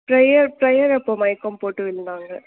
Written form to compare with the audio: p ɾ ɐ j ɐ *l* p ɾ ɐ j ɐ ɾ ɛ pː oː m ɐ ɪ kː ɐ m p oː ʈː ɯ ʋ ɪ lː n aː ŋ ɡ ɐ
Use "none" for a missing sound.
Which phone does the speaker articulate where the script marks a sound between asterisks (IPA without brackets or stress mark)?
ɾ